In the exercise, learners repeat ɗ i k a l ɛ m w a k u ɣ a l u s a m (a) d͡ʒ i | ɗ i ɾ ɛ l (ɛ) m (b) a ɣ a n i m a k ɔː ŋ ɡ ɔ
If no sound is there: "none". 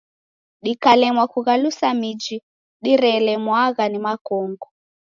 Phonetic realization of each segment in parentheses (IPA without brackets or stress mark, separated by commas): i, ɛ, w